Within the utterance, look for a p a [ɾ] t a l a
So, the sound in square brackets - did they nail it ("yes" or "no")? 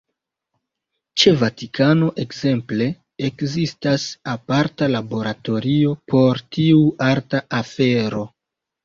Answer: yes